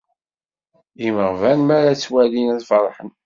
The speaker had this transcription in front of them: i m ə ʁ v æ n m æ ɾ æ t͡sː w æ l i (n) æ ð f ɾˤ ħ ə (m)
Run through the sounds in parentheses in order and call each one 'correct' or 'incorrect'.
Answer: correct, incorrect

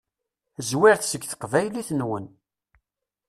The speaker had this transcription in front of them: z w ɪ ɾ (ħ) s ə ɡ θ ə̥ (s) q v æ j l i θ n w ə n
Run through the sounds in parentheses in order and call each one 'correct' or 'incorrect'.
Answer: incorrect, incorrect

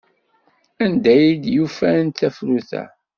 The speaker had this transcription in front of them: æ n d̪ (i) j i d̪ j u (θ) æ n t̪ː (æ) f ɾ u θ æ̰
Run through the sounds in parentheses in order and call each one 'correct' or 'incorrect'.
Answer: incorrect, incorrect, correct

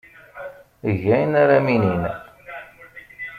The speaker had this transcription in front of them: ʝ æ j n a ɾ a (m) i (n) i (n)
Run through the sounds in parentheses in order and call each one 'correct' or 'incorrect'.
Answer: correct, correct, correct

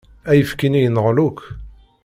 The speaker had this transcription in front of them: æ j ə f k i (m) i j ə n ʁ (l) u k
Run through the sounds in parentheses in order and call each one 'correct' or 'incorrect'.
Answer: incorrect, correct

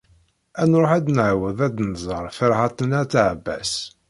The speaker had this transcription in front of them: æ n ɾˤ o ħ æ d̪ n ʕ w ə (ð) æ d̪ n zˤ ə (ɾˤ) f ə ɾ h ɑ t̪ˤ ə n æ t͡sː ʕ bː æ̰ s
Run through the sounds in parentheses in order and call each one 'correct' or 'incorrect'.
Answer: correct, correct

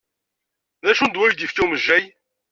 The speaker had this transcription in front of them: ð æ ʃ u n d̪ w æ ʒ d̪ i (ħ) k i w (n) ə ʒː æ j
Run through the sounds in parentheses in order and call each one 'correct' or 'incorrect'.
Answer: incorrect, incorrect

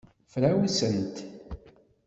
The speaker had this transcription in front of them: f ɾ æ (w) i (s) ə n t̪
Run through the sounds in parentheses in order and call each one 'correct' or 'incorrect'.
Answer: correct, correct

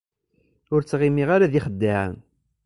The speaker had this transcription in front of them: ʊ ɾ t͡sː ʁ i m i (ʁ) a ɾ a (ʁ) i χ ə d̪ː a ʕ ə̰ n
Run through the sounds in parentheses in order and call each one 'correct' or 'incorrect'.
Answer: correct, incorrect

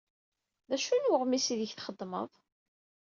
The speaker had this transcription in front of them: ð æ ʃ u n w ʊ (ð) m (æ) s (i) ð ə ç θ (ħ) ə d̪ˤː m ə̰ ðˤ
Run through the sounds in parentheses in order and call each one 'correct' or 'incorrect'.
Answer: incorrect, incorrect, correct, incorrect

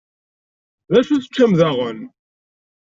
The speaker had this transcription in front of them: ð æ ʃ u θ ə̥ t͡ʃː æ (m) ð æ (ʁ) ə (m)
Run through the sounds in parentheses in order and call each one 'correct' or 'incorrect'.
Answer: correct, correct, incorrect

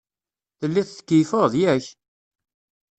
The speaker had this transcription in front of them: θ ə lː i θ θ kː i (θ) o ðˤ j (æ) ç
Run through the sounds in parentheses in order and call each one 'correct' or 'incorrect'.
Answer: incorrect, correct

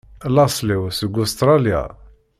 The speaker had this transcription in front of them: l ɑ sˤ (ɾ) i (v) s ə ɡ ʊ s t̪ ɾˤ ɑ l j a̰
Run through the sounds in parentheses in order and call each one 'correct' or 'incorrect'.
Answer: incorrect, incorrect

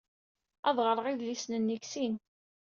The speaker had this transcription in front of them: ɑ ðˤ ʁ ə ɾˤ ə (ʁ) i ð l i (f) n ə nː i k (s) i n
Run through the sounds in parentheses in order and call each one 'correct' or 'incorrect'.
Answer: correct, incorrect, correct

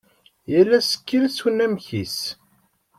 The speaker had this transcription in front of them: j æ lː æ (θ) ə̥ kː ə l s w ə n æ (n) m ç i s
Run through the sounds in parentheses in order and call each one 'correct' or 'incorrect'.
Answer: incorrect, incorrect

